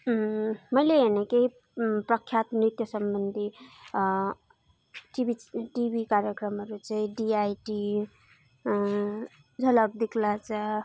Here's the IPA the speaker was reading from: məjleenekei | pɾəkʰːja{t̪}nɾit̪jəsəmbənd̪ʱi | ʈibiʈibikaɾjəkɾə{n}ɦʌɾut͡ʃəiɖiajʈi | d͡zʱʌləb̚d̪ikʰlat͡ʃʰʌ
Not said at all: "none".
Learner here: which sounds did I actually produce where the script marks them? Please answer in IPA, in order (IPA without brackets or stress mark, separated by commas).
t̪, m